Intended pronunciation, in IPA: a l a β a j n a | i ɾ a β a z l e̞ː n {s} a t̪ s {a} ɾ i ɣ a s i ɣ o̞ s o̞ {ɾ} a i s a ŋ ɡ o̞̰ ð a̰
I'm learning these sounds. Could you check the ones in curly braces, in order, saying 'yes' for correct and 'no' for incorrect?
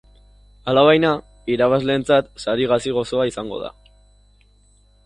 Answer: no, yes, no

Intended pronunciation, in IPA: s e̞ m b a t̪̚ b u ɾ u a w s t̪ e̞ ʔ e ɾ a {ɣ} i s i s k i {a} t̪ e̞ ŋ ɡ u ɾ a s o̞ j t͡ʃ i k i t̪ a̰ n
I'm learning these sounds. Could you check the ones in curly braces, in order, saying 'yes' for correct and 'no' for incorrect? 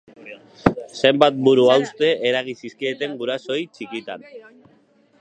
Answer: yes, no

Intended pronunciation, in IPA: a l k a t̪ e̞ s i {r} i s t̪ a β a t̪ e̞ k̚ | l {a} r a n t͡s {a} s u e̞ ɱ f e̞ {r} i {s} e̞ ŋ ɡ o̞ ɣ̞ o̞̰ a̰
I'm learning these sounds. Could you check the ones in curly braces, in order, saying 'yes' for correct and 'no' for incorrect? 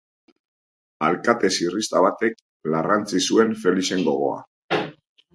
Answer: yes, yes, no, no, yes

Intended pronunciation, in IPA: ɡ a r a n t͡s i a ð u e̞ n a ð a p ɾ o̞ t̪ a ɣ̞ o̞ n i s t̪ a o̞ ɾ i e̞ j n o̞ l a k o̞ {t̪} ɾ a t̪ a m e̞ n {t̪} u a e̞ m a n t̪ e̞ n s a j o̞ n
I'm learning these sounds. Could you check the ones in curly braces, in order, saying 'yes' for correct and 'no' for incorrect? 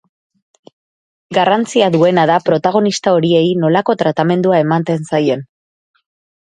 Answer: yes, no

